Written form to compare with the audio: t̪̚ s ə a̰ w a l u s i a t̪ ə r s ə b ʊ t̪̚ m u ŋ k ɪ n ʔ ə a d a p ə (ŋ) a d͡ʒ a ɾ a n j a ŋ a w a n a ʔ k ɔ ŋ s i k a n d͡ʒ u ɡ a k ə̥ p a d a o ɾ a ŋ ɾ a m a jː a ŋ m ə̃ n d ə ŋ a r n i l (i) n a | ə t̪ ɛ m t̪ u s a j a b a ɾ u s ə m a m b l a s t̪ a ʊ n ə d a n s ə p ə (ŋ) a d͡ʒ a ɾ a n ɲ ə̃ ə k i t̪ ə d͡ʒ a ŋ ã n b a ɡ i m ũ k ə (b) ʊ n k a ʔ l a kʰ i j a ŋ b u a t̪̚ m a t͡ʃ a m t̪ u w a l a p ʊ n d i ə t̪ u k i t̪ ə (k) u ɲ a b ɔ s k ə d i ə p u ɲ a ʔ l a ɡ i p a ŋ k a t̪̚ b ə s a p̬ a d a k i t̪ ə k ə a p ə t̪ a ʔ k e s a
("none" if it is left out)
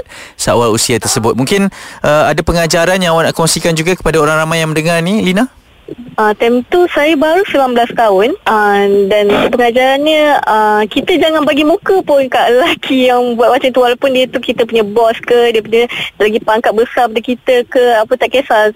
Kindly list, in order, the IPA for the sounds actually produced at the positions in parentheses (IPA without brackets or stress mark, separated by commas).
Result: ŋ, i, ŋ, p, p